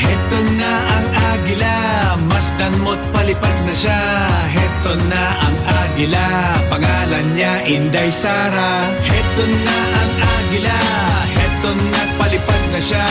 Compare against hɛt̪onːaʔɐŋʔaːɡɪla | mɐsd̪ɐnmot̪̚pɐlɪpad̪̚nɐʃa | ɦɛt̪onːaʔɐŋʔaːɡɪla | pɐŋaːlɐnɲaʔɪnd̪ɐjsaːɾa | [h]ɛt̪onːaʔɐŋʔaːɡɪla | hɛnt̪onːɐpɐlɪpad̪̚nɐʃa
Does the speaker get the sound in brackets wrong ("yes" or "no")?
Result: no